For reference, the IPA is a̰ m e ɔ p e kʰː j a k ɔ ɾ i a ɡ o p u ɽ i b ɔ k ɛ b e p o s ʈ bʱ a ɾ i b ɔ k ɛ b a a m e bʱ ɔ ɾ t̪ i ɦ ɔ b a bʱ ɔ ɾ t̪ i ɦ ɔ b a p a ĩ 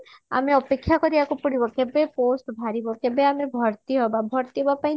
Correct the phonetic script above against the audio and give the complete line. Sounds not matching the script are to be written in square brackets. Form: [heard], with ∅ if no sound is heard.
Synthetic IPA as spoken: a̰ m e ɔ p e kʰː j a k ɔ ɾ i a [k] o p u ɽ i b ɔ k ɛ b e p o s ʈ bʱ a ɾ i b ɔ k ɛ b [e] a m e bʱ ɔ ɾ t̪ i ɦ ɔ b a bʱ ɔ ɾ t̪ i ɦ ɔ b a p a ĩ